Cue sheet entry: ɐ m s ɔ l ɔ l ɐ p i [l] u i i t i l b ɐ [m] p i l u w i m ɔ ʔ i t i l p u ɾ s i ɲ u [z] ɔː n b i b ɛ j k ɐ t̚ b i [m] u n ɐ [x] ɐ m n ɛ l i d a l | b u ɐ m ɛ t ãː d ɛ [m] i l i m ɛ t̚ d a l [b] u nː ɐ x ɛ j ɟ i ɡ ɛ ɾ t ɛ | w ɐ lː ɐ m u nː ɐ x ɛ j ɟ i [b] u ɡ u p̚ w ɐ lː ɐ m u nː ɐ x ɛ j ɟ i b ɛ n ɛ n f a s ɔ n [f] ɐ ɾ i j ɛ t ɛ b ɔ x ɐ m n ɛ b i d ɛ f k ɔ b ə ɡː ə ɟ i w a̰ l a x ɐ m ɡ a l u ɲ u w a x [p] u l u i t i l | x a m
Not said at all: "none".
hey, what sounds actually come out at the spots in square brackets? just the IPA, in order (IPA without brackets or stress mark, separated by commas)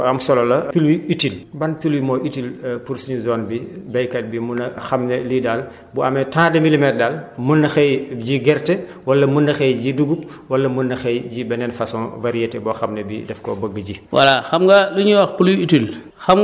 l, n, z, m, x, m, m, d, v, p